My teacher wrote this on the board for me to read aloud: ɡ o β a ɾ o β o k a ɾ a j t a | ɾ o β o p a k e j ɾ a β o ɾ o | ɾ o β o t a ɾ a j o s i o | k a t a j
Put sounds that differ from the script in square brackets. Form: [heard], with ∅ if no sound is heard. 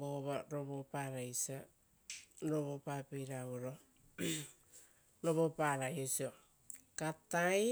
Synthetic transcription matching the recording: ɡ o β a ɾ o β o [p] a ɾ a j [s] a | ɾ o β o p a [p] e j ɾ a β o ɾ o | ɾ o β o [p] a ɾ a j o s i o | k a t a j

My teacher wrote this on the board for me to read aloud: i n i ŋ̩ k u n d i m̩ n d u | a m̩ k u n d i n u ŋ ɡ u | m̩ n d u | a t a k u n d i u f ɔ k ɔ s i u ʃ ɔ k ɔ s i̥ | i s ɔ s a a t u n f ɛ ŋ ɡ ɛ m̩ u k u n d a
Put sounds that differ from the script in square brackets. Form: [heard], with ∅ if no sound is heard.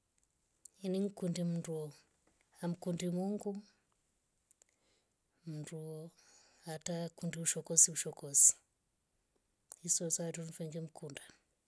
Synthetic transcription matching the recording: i n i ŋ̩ k u n d i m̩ n d u | a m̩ k u n d i [m] u ŋ ɡ u | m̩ n d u | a t a k u n d i u [ʃ] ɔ k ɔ s i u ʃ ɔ k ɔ s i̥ | i s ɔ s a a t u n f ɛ ŋ ɡ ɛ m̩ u k u n d a

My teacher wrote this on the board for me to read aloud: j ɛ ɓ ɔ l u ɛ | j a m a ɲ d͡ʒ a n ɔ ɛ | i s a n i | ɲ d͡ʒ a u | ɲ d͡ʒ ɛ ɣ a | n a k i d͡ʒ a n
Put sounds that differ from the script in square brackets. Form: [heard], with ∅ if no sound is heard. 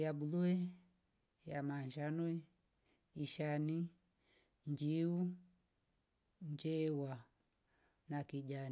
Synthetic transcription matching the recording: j [a] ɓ [u] l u ɛ | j a m a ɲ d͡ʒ a n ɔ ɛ | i [ʃ] a n i | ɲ d͡ʒ [i] u | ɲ d͡ʒ ɛ [w] a | n a k i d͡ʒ a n

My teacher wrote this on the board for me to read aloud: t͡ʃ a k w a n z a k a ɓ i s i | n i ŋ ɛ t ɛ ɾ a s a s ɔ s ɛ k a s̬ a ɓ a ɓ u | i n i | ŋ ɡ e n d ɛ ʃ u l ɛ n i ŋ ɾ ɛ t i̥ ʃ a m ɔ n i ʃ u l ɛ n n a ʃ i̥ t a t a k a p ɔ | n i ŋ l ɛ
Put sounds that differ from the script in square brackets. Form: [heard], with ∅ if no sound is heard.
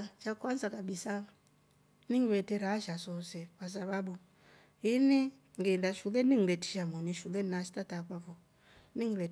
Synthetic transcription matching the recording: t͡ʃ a k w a n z a k a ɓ i s [a] | n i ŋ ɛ t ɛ ɾ a [ʃ] a s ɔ s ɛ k a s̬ a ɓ a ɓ u | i n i | ŋ ɡ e n d [a] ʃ u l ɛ n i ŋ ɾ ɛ t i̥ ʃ a m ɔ n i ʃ u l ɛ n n a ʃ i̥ t a t a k a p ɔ | n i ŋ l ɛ

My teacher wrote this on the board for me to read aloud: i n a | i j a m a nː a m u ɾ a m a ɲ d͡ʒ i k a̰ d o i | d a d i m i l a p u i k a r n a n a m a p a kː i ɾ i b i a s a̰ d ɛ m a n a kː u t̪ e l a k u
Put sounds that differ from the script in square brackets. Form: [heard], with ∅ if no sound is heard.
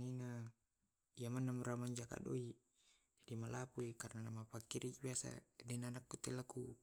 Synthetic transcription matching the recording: i n a | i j a m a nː a m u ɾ a m a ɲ d͡ʒ [a] k a̰ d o i | [d͡ʒ] a d i m [a] l a p u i k a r n a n a m a p a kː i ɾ i b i a s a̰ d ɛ [n] a n a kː u t̪ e l a k u

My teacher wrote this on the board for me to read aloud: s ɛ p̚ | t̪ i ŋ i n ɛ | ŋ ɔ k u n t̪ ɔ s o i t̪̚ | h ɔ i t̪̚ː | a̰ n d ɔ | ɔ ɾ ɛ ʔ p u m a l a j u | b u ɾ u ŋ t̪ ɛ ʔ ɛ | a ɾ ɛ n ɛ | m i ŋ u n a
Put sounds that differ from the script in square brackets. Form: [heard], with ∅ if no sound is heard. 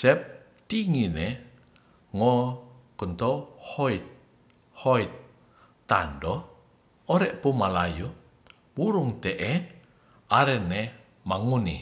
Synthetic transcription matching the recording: s ɛ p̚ | t̪ i ŋ i n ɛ | ŋ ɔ k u n t̪ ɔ [h] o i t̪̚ | h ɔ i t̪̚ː | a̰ n d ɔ | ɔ ɾ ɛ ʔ p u m a l a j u | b u ɾ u ŋ t̪ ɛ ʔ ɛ | a ɾ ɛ n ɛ | m [a] ŋ u n [i]

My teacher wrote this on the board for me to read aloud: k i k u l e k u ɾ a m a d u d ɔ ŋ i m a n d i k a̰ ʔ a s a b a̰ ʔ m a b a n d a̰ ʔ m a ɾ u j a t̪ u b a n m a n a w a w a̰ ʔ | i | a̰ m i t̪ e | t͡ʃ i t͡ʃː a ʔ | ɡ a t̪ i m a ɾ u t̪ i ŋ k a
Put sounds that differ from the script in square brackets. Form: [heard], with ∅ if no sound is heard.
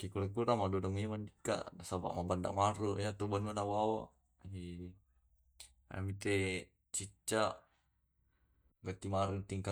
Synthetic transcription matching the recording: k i k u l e k u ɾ a m a d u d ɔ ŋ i m a n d i k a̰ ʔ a s a b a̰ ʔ m a b a n d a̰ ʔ m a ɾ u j a t̪ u b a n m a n a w a w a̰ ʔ | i | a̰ m i t̪ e | t͡ʃ i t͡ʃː a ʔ | ɡ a t̪ i m a ɾ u t̪ i ŋ k a

